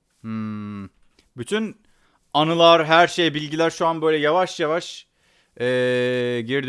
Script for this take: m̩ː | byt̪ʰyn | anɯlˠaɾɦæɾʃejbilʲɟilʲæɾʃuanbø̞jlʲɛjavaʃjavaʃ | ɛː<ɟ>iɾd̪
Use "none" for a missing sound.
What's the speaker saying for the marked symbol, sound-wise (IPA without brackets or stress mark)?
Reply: ɟ